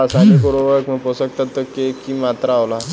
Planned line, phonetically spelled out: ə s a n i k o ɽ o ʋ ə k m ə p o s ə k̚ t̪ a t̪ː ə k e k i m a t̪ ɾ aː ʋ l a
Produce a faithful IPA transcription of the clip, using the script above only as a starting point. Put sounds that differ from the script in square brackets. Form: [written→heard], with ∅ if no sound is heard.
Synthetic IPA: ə s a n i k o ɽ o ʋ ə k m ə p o s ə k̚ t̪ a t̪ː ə k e k i m a t̪ ɾ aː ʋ l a